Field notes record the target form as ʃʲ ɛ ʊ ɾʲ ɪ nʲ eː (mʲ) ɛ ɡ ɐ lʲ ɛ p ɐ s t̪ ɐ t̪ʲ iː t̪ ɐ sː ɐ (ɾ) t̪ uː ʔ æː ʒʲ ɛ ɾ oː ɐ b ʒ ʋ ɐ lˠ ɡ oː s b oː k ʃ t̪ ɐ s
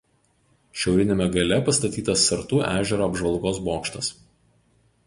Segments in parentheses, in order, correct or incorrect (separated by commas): correct, correct